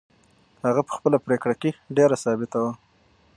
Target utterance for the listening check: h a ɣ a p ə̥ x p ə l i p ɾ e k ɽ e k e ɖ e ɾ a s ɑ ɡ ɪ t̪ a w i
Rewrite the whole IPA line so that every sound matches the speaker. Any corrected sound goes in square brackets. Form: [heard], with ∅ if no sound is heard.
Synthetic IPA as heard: h a ɣ a p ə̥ x p ə l [a] p ɾ e k ɽ [a] k e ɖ e ɾ a s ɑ [b] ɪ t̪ a w [a]